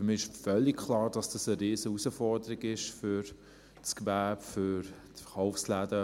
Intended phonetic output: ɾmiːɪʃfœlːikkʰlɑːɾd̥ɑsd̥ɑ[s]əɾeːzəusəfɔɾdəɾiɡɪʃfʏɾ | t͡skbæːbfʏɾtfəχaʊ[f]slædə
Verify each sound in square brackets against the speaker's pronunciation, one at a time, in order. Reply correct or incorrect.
correct, correct

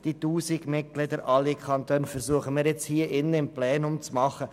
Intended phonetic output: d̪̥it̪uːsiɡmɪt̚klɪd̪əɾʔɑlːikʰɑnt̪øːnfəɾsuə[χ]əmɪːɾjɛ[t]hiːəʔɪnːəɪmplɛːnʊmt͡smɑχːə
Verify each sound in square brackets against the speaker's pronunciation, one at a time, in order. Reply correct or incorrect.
correct, incorrect

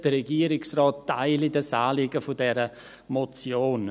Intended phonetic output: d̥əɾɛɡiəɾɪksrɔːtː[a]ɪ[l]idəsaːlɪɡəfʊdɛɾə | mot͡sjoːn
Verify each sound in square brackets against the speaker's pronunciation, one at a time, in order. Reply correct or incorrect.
correct, correct

